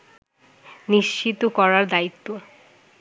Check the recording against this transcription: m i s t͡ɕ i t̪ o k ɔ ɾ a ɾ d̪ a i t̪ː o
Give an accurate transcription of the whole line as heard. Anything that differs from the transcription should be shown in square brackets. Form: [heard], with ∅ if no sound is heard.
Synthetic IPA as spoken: [n] i [ʃ] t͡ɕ i t̪ o k ɔ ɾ a ɾ d̪ a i t̪ː o